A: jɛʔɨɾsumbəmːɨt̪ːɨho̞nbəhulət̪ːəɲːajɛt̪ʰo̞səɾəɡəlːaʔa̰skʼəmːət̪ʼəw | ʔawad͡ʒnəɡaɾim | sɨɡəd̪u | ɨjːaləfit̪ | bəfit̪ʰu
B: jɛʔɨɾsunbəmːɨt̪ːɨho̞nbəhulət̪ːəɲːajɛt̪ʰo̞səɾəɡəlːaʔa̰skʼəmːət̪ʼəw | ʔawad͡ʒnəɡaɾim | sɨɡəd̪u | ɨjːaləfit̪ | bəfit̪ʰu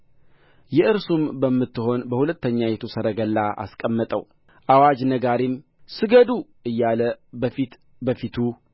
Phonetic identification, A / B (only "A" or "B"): A